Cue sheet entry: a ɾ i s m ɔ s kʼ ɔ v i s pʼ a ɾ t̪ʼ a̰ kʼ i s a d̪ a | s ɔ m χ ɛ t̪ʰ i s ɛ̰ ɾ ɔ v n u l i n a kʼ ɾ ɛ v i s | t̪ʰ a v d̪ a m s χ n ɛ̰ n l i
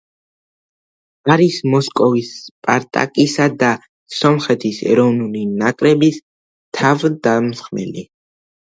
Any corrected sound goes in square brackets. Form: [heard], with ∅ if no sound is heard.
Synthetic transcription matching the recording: a ɾ i s m ɔ s kʼ ɔ v i s pʼ a ɾ t̪ʼ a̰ kʼ i s a d̪ a | s ɔ m χ ɛ t̪ʰ i s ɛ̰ ɾ ɔ v n u l i n a kʼ ɾ ɛ [b] i s | t̪ʰ a v d̪ a m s χ [m] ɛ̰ [∅] l i